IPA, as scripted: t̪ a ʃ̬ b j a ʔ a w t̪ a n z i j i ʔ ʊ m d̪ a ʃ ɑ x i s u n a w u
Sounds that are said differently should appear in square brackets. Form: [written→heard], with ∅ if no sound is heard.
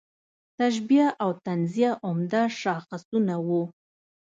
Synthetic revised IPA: t̪ a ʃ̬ b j a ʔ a w t̪ a n z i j [i→a] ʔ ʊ m d̪ a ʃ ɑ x [i→a] s u n a w u